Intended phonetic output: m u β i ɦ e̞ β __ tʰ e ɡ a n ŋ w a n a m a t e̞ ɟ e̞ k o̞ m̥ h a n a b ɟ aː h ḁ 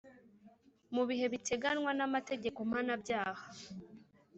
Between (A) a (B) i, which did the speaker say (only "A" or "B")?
B